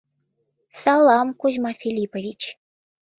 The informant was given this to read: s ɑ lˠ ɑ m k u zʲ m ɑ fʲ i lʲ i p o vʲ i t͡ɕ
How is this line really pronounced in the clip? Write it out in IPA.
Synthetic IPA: s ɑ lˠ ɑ m k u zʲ m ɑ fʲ i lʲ i p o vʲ i t͡ɕ